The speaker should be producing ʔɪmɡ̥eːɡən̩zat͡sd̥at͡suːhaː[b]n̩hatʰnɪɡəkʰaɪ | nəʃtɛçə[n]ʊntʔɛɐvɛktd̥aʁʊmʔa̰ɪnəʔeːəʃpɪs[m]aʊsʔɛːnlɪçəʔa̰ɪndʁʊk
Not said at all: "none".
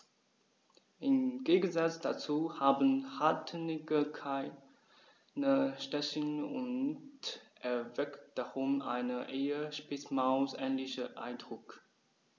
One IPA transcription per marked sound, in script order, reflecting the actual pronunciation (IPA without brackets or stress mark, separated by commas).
b, n, m